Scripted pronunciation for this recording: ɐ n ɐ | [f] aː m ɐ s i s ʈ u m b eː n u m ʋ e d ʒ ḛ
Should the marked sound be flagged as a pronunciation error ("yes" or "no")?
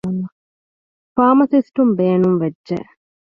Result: no